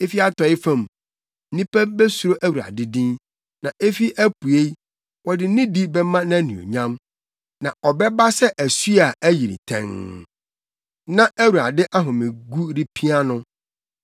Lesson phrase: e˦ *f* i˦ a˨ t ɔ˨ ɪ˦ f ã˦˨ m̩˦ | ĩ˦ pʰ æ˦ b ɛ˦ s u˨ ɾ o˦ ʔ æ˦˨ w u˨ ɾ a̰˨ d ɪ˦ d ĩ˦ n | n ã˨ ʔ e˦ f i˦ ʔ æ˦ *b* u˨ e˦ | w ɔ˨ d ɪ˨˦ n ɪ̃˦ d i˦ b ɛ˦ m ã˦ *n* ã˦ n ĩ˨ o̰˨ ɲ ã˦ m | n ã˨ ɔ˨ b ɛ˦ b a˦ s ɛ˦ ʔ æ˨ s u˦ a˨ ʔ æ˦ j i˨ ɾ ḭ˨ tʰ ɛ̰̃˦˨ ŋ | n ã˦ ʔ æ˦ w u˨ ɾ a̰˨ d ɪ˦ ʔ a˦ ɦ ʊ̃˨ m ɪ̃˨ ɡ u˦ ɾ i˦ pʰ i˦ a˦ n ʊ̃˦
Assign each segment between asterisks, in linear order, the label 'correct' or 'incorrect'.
correct, incorrect: p, correct

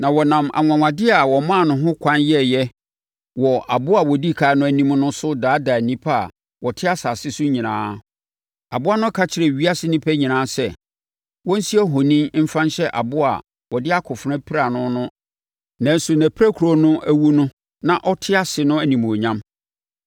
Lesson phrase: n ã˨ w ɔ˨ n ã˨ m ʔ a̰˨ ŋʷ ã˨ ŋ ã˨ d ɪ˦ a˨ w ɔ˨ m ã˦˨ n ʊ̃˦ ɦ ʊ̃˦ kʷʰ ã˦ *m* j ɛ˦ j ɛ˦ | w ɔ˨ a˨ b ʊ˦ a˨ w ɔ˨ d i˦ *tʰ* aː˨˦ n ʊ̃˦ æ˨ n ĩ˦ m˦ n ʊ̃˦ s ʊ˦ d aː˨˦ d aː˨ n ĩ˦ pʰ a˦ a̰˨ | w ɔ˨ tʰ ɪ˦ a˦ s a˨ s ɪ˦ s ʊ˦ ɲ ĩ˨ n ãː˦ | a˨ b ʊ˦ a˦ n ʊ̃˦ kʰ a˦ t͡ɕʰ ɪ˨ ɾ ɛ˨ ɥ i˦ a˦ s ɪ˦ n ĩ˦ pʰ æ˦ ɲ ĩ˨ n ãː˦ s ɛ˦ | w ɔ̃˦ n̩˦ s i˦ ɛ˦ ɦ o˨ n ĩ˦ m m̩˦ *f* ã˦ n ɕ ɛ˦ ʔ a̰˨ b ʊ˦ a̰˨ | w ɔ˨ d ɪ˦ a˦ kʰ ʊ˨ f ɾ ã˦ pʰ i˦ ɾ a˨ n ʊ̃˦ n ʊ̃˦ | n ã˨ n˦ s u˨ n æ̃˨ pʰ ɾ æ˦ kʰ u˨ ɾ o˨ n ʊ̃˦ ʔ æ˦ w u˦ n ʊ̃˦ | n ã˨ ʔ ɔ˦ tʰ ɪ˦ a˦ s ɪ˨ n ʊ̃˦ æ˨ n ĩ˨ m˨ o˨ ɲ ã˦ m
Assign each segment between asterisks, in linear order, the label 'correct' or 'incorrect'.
incorrect: n, incorrect: kʰ, correct

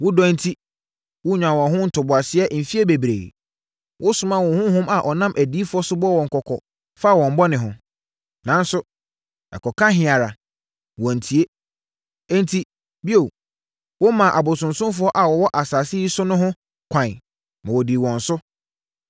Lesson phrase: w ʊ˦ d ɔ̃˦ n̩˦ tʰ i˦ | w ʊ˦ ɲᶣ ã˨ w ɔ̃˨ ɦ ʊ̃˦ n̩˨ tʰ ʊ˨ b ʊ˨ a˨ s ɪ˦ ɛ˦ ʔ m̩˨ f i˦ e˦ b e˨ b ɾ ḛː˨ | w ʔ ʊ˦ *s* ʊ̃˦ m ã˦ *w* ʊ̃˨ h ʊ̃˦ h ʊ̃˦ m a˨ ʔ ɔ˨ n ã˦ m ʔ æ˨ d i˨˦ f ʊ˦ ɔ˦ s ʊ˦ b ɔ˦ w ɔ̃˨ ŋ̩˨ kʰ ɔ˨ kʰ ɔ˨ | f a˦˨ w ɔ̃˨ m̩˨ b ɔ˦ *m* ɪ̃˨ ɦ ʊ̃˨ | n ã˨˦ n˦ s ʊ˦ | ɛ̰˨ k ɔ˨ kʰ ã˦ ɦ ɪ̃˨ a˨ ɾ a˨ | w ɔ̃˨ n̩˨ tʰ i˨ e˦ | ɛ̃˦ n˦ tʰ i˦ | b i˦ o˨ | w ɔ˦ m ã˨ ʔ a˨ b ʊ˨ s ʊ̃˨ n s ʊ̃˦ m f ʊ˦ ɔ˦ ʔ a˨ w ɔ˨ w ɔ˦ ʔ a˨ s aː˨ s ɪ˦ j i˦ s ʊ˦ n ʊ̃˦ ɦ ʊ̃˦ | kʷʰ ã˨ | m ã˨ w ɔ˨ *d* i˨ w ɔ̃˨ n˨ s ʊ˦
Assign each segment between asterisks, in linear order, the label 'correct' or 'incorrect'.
correct, correct, incorrect: n, correct

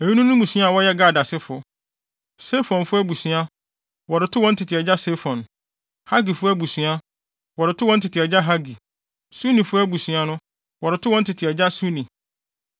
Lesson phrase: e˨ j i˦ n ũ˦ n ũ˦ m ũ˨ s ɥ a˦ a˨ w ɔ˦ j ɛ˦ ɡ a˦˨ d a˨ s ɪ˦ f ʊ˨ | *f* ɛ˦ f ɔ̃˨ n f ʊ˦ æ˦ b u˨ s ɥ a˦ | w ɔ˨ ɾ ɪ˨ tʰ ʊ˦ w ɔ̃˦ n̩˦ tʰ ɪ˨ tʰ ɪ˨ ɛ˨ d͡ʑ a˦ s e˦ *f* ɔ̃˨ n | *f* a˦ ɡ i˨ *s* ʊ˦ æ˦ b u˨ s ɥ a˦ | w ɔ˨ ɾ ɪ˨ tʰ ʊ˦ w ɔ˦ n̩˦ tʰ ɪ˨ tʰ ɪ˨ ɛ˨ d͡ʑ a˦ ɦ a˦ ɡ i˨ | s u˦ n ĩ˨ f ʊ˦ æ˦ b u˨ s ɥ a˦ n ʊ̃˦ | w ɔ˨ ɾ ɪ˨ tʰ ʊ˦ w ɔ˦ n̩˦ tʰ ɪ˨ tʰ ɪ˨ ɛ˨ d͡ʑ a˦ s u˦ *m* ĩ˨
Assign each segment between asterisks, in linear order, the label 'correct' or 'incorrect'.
incorrect: s, correct, incorrect: h, incorrect: f, incorrect: n

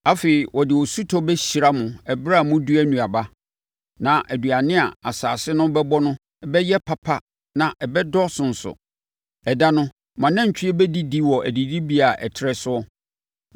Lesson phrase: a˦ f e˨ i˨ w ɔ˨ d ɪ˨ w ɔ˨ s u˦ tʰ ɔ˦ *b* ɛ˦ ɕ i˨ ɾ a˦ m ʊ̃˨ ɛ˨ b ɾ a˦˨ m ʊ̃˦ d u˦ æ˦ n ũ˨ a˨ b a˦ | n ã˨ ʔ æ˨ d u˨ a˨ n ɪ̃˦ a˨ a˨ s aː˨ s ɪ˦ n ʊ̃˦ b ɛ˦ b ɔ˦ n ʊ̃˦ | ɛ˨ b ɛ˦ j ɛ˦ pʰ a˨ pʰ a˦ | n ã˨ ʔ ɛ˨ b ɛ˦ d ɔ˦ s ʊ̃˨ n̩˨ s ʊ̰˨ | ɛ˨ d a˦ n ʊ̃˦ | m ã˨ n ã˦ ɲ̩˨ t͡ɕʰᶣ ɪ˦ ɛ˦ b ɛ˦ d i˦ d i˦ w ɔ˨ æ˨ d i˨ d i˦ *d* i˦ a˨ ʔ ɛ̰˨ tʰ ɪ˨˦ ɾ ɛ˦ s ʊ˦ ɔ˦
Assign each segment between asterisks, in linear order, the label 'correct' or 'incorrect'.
correct, incorrect: b

